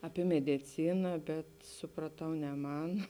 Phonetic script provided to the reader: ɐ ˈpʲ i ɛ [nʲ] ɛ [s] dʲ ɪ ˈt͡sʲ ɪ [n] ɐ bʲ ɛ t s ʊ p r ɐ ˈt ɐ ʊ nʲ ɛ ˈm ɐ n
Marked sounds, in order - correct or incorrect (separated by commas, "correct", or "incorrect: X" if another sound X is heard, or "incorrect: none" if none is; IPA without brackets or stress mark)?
incorrect: mʲ, incorrect: none, correct